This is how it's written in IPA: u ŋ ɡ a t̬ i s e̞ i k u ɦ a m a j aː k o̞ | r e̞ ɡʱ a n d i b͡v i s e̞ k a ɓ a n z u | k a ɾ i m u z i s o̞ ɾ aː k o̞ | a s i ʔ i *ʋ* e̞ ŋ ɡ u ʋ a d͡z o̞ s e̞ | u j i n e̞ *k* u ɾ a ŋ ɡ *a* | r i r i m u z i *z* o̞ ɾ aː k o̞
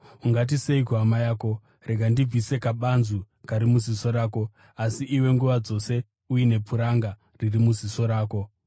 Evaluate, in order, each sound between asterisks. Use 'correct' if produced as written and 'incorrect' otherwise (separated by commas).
incorrect, incorrect, correct, incorrect